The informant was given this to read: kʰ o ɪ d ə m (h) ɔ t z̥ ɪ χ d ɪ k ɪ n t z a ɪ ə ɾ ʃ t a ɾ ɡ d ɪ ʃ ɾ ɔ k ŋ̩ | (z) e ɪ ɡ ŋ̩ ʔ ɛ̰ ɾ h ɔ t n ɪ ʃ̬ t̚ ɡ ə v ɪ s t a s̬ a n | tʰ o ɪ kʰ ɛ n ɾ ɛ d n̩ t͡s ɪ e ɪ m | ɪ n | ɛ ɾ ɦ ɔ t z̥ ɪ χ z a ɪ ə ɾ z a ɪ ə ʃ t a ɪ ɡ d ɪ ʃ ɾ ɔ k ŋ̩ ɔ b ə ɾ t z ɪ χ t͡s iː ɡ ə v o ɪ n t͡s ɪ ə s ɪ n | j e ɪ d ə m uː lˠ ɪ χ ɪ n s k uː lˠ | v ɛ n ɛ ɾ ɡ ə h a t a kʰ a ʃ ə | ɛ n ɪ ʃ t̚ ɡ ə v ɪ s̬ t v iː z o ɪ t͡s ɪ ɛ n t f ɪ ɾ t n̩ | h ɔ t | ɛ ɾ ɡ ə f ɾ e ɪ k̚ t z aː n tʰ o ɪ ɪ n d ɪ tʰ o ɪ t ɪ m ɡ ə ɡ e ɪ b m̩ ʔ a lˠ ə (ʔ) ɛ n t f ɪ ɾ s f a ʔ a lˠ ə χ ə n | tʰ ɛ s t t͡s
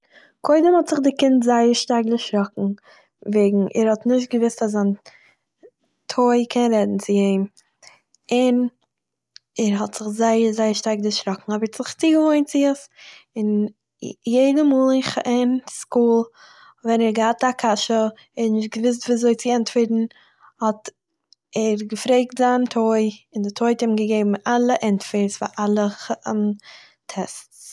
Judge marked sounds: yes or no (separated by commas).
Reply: yes, no, yes